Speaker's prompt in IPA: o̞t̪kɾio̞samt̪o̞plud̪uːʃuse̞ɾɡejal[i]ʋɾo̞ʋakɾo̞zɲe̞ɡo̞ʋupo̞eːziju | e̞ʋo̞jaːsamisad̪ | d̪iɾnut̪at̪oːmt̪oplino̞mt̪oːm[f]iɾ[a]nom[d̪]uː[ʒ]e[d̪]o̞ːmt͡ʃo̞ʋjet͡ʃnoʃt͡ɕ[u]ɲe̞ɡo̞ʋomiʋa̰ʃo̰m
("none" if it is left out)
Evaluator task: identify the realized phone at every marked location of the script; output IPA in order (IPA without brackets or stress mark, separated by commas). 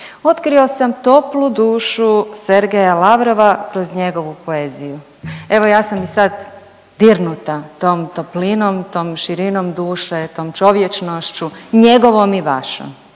a, ʃ, i, d̪, ʃ, t̪, u